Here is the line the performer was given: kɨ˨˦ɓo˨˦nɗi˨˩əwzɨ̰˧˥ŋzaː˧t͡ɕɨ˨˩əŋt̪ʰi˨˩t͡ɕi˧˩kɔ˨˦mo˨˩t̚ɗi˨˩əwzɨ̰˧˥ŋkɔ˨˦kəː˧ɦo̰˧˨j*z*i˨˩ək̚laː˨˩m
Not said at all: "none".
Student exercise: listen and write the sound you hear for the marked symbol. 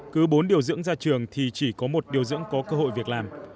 v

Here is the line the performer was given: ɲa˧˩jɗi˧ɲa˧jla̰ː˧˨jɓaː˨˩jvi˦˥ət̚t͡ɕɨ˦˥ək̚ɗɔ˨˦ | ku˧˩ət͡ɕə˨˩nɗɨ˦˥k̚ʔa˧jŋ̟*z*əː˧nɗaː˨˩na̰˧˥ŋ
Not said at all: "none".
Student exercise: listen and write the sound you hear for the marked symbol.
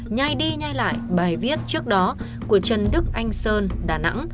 s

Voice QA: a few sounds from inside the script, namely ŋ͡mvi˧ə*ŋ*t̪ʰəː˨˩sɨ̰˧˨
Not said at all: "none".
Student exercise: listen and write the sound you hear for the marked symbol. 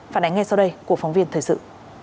n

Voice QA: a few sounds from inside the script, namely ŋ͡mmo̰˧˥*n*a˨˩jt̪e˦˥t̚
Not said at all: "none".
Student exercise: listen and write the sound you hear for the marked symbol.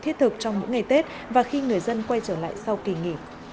ŋ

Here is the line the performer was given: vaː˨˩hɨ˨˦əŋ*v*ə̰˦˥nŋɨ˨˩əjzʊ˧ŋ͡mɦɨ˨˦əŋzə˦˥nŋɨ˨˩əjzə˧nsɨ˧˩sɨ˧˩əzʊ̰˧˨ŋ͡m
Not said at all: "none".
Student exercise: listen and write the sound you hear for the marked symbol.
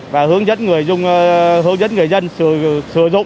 z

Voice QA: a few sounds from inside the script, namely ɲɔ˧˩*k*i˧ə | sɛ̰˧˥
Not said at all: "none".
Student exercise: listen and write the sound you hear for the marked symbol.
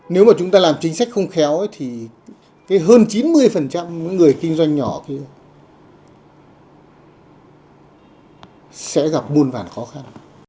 k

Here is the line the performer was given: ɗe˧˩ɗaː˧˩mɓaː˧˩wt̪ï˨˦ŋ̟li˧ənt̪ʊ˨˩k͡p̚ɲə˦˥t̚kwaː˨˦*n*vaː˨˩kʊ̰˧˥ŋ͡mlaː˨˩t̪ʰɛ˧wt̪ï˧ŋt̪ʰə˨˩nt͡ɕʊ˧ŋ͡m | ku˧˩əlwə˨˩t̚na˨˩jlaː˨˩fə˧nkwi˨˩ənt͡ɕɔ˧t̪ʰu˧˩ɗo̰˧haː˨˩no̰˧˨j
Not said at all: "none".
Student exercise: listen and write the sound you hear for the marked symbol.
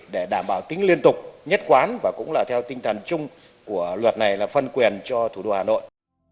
n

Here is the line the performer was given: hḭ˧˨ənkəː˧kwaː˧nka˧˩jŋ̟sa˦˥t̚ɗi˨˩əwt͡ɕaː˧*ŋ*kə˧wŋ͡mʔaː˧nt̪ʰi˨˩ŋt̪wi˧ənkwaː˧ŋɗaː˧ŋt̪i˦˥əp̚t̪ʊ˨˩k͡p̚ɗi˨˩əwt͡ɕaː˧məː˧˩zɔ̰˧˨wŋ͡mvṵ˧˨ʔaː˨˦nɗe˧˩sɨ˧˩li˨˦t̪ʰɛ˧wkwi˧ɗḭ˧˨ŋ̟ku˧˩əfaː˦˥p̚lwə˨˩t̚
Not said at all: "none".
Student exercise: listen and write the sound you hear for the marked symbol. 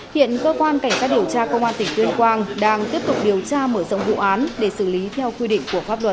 none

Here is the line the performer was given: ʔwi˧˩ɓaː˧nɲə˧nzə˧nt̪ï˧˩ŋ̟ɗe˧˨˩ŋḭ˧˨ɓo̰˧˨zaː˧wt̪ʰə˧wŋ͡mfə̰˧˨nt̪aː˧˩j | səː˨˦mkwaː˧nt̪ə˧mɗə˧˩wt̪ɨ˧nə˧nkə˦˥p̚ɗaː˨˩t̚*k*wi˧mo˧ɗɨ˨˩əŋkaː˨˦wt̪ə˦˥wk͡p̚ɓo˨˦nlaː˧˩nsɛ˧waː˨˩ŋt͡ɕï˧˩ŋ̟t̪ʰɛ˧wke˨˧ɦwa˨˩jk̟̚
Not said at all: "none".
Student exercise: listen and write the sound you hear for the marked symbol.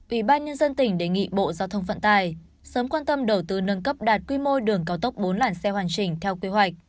k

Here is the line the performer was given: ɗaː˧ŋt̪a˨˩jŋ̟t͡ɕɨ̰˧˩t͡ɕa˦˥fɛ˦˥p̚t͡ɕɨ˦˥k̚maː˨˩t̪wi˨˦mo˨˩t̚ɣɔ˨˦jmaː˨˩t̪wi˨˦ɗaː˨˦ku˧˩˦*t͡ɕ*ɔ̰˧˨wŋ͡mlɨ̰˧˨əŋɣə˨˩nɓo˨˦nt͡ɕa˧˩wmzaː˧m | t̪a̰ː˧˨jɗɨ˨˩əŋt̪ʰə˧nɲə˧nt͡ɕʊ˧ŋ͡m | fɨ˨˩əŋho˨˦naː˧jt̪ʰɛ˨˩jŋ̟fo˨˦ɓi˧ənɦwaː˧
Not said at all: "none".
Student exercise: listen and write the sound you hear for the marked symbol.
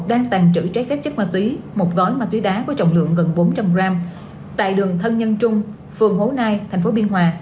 t͡ɕ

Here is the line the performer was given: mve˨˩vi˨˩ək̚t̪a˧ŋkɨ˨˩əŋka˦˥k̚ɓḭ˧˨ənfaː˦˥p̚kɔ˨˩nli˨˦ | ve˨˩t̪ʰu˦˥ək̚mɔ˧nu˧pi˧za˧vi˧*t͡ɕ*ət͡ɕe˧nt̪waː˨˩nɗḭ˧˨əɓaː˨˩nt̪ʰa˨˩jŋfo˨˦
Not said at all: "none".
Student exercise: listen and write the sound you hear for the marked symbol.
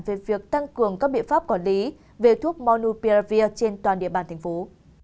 none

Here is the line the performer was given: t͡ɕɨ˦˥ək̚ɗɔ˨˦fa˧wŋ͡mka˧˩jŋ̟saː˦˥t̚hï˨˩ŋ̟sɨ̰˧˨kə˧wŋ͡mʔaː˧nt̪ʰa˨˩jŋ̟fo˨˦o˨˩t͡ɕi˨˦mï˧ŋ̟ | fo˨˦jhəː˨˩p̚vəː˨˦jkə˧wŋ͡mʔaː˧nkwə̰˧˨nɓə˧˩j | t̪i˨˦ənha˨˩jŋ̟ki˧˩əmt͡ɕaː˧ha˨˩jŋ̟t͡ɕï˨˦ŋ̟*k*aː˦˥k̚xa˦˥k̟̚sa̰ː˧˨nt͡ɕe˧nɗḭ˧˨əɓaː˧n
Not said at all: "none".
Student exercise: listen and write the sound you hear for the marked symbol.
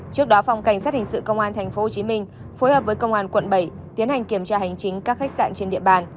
k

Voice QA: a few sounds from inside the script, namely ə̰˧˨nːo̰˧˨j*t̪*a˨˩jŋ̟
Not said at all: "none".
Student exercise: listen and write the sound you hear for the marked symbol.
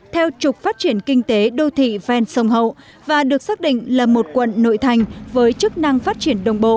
t̪ʰ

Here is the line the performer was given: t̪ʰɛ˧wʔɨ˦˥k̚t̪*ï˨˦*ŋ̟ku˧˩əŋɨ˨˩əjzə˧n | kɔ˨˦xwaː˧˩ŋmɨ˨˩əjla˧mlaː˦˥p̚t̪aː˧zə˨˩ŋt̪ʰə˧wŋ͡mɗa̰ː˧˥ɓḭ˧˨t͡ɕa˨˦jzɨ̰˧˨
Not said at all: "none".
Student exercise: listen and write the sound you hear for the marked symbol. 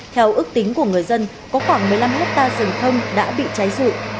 ï˨˦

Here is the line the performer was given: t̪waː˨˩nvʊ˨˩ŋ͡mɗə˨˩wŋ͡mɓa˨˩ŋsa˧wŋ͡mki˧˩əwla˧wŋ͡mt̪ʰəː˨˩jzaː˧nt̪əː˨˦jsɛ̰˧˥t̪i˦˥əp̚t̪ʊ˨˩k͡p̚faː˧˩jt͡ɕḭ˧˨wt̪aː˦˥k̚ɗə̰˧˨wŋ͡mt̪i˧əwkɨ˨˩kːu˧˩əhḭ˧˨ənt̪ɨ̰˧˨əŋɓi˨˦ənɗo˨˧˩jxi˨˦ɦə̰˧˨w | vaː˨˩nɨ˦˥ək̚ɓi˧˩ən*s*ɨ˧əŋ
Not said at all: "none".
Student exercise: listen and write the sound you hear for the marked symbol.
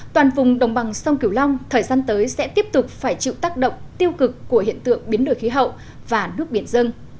z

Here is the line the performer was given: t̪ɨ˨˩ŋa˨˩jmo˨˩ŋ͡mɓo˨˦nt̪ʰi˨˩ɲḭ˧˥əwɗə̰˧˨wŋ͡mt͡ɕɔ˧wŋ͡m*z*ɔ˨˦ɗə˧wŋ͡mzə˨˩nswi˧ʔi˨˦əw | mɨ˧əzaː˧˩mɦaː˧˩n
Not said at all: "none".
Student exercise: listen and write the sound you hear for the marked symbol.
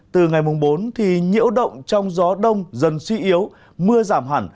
z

